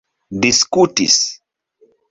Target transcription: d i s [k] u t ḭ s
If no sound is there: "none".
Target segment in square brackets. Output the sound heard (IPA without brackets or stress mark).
k